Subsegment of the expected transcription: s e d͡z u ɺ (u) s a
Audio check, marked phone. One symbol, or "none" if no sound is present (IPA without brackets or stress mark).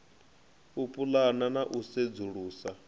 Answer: uː